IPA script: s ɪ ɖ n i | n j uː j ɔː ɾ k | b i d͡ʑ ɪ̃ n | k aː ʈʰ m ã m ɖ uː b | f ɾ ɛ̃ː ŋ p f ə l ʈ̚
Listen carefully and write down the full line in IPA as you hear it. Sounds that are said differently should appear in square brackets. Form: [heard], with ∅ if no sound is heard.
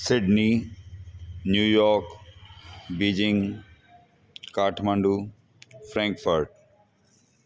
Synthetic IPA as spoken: s ɪ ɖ n i | n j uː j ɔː ɾ k | b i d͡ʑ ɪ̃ [ŋ] | k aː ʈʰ m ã [ɳ] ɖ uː [∅] | f ɾ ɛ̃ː ŋ [k] f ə [ɾ] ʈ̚